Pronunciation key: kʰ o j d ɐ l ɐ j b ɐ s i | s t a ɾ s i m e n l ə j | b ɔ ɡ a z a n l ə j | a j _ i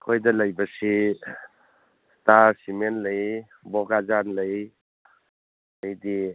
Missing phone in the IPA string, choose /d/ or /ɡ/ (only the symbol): d